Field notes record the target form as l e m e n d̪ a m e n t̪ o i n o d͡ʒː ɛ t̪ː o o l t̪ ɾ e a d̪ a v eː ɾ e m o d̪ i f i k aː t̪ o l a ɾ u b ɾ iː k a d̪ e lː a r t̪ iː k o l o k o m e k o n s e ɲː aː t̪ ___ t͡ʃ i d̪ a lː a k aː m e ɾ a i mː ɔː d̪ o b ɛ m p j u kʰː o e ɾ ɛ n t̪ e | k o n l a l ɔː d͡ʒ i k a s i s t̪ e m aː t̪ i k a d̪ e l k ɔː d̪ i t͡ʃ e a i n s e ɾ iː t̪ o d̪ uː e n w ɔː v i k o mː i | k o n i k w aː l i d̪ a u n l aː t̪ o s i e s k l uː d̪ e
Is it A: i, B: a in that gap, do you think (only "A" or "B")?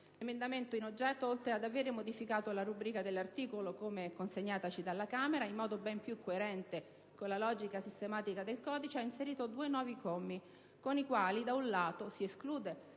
B